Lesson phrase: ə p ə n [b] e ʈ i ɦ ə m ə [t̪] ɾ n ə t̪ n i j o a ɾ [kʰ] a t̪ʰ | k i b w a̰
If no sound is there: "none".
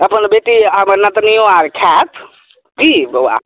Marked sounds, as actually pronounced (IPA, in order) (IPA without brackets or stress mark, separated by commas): b, none, kʰ